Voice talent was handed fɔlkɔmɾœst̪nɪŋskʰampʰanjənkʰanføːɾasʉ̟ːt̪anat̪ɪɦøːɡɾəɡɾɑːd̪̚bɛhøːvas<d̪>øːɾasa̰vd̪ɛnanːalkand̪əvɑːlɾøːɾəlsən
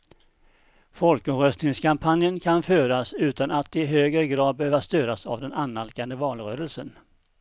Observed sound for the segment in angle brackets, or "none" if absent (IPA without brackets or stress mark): t̪